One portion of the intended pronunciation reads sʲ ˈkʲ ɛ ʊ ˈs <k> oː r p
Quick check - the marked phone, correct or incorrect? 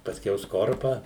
correct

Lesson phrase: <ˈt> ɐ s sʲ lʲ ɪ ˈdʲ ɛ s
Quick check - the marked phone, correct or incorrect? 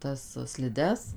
correct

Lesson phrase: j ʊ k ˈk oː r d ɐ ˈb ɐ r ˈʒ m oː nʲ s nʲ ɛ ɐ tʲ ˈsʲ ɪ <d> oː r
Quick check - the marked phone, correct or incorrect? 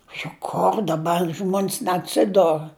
correct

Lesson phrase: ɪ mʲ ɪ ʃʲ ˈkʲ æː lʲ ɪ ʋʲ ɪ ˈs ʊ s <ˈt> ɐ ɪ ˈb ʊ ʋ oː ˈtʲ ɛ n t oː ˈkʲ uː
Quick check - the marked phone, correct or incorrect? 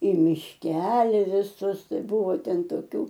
correct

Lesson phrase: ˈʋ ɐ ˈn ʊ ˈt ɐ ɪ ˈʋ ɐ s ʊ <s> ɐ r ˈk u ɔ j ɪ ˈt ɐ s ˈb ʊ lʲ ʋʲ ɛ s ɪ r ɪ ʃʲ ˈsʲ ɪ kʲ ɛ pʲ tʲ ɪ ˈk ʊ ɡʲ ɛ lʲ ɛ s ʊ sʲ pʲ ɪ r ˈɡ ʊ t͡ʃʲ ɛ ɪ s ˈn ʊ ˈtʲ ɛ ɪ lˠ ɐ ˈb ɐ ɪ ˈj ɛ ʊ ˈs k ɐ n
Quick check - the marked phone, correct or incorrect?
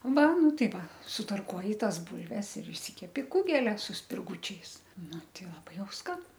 incorrect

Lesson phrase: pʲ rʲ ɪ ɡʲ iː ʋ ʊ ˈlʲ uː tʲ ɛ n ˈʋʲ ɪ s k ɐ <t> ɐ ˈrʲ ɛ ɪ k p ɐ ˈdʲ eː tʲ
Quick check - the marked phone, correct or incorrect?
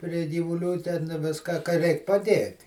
incorrect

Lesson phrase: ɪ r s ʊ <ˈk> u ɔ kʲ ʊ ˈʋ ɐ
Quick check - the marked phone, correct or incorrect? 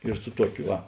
incorrect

